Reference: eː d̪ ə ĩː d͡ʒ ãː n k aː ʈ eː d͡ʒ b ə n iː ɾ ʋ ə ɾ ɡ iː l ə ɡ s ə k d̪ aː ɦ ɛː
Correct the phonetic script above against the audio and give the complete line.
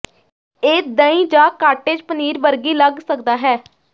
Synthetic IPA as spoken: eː d̪ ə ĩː d͡ʒ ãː k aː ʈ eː d͡ʒ p ə n iː ɾ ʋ ə ɾ ɡ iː l ə ɡ s ə k d̪ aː ɦ ɛː

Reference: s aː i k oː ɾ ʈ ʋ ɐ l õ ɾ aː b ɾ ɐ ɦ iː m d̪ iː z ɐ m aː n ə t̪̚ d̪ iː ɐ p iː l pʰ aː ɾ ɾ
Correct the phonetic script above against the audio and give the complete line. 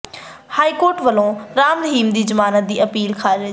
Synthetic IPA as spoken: h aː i k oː ɾ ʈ ʋ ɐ l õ ɾ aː m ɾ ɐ ɦ iː m d̪ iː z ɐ m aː n ə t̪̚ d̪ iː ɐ p iː l kʰ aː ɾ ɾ

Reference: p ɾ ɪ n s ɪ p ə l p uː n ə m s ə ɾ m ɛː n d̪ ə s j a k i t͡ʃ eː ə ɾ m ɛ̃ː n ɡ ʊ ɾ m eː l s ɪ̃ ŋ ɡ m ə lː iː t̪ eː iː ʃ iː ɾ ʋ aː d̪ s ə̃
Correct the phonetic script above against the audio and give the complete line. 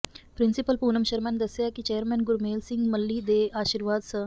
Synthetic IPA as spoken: p ɾ ɪ n s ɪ p ə l p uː n ə m ʃ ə ɾ m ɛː n d̪ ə s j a k i t͡ʃ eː ə ɾ m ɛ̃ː n ɡ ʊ ɾ m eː l s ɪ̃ ŋ ɡ m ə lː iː d̪ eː aː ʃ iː ɾ ʋ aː d̪ s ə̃

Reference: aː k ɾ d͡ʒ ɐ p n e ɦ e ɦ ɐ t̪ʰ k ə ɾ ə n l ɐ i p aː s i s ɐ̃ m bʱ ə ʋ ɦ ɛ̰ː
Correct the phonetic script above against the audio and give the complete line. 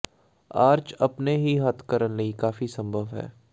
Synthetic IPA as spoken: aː ɾ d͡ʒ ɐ p n e ɦ i ɦ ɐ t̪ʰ k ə ɾ ə n l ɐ i k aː f i s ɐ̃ m bʱ ə ʋ ɦ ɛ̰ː

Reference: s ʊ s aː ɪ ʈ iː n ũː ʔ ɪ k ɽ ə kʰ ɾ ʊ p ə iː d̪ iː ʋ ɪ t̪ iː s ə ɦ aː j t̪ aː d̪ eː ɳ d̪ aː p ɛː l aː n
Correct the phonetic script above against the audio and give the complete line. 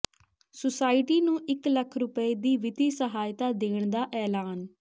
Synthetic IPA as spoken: s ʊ s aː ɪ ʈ iː n ũː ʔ ɪ k l ə kʰ ɾ ʊ p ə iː d̪ iː ʋ ɪ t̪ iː s ə ɦ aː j t̪ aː d̪ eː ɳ d̪ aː ʔ ɛː l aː n

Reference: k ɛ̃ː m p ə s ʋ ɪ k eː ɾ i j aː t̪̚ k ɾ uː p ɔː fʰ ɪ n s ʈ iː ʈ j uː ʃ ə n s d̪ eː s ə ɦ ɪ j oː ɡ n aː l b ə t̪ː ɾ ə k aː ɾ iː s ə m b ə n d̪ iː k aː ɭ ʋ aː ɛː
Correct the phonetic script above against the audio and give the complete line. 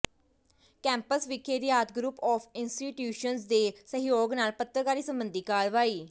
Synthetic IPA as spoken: k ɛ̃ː m p ə s ʋ ɪ k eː ɾ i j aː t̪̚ ɡ ɾ uː p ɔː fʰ ɪ n s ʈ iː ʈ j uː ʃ ə n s d̪ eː s ə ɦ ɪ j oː ɡ n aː l p ə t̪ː ɾ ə k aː ɾ iː s ə m b ə n d̪ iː k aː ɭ ʋ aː iː

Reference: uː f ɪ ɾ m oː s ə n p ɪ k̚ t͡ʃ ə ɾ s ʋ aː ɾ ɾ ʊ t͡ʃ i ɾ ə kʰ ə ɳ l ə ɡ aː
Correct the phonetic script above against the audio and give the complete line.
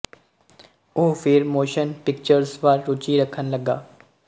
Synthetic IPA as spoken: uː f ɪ ɾ m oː ʃ ə n p ɪ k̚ t͡ʃ ə ɾ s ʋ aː ɾ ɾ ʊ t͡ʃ i ɾ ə kʰ ə n l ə ɡ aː

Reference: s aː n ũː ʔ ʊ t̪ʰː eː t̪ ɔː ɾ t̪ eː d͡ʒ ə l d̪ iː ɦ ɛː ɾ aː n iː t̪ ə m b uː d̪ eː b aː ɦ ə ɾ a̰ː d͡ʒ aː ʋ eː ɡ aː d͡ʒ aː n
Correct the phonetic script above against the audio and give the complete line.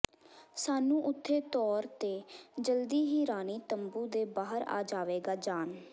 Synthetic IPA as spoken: s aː n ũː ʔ ʊ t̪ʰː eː t̪ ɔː ɾ t̪ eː d͡ʒ ə l d̪ iː ɦ iː ɾ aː n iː t̪ ə m b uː d̪ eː b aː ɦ ə ɾ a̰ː d͡ʒ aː ʋ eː ɡ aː d͡ʒ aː n

